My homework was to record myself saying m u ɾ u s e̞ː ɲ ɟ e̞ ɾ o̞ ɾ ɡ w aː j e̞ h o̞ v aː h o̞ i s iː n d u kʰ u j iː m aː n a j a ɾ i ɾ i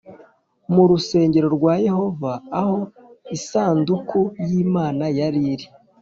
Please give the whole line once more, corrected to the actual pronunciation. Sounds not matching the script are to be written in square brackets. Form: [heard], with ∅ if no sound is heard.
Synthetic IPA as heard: m u ɾ u s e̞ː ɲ ɟ e̞ ɾ o̞ ɾ ɡ w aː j e̞ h o̞ v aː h o̞ i s [aː] n d u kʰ u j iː m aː n a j a ɾ i ɾ i